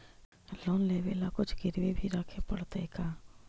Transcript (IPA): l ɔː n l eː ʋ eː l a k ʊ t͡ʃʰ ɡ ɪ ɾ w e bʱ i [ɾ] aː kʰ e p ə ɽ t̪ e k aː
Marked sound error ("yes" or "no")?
no